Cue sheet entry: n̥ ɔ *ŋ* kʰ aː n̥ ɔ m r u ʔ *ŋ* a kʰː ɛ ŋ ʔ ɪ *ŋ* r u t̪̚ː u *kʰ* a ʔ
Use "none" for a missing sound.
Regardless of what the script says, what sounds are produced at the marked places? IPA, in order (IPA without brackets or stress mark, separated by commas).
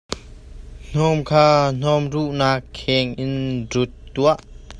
m, n, n, none